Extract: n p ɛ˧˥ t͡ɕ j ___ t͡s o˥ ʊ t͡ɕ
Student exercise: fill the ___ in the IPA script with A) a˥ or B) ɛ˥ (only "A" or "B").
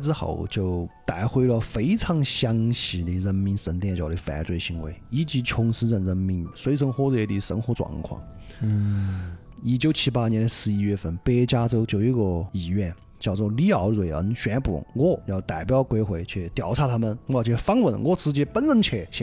A